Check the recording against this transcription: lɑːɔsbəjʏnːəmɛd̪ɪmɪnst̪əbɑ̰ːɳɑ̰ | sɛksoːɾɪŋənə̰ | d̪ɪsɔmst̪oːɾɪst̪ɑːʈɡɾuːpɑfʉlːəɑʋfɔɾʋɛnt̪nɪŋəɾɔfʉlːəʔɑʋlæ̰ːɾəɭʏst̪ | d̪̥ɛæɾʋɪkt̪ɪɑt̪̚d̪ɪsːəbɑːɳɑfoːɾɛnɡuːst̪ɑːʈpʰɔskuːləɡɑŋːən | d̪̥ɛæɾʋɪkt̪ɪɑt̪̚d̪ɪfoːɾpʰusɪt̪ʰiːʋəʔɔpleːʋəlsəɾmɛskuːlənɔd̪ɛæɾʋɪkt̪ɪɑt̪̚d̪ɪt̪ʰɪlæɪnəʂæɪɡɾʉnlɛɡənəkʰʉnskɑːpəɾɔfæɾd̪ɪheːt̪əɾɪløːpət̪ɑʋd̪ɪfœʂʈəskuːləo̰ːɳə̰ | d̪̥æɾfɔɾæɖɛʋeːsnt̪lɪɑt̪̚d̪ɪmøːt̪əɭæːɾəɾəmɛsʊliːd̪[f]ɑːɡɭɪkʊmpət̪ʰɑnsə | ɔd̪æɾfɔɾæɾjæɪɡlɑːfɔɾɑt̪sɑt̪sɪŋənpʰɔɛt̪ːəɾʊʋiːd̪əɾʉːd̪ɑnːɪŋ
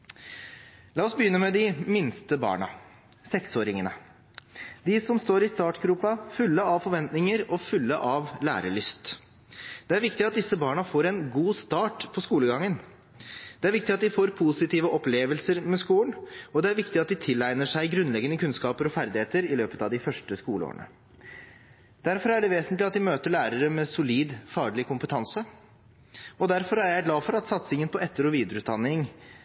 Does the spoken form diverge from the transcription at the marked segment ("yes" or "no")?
no